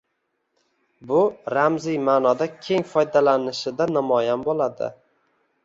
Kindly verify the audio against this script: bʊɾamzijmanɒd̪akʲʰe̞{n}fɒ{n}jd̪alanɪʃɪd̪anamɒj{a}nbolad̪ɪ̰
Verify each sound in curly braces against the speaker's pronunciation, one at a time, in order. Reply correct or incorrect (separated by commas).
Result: incorrect, incorrect, correct